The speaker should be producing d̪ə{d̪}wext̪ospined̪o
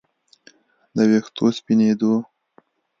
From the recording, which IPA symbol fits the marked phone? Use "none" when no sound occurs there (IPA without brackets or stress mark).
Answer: none